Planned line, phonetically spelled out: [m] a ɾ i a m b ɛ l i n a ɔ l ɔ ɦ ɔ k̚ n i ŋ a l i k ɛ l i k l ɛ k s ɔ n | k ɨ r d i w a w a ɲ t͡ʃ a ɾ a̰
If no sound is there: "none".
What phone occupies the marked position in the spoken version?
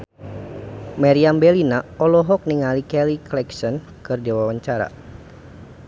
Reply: m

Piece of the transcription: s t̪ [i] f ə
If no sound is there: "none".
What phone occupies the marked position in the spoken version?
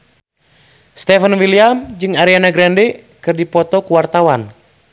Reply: ɛ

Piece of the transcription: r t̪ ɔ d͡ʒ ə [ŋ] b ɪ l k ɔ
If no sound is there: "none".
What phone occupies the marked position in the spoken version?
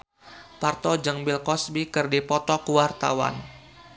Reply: ŋ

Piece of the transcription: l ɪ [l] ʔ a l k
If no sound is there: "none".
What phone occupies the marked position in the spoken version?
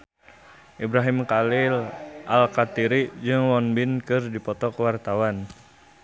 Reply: l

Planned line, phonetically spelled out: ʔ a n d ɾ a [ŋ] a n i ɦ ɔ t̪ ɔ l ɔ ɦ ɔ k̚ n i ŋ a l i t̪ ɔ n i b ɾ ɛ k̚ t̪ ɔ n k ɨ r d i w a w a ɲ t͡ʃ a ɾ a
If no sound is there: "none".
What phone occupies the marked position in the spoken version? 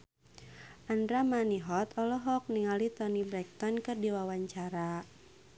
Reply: m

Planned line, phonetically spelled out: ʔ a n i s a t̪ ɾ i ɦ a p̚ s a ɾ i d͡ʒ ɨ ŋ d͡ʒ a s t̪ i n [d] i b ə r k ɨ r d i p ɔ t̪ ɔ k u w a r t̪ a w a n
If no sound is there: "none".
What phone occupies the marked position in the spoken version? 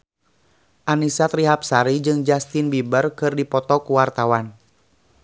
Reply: b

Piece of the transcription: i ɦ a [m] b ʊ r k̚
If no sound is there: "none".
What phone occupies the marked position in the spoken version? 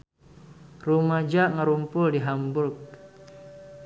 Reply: m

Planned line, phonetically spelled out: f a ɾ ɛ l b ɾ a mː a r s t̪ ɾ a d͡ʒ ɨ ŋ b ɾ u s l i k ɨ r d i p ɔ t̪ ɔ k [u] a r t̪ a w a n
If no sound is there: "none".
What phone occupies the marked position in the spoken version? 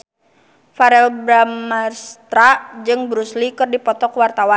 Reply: w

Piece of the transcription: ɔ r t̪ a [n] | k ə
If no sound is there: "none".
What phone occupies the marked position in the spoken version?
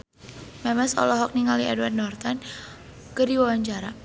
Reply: n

